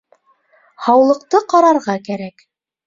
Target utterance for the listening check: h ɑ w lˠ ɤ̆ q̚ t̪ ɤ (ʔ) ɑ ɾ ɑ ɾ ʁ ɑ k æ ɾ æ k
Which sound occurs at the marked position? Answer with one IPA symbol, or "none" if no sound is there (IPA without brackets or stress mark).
q